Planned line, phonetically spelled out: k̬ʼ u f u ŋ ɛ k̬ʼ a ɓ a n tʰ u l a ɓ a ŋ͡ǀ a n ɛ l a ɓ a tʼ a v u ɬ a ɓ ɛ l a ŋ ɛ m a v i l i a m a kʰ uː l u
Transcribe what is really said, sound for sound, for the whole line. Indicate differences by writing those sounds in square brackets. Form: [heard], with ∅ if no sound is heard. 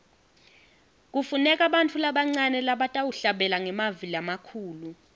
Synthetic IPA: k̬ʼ u f u [n] ɛ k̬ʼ a ɓ a n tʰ u l a ɓ a ŋ͡ǀ a n ɛ l a ɓ a tʼ a [w] u ɬ a ɓ ɛ l a ŋ ɛ m a v i l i a m a kʰ uː l u